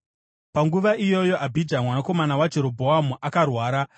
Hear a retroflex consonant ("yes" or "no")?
no